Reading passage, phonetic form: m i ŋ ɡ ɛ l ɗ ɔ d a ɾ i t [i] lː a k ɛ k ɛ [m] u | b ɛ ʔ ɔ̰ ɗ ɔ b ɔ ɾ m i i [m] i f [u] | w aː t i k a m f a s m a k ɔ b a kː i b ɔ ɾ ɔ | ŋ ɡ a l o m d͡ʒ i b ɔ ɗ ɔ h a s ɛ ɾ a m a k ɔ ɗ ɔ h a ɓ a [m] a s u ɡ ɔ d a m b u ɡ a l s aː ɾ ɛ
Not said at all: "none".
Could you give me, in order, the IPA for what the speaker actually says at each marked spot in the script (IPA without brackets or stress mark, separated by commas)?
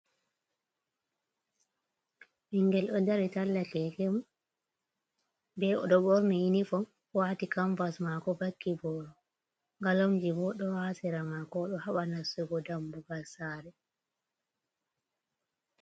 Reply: a, m, n, ɔ, n